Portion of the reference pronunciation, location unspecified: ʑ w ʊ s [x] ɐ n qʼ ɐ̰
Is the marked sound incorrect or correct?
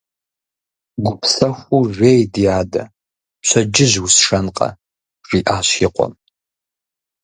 incorrect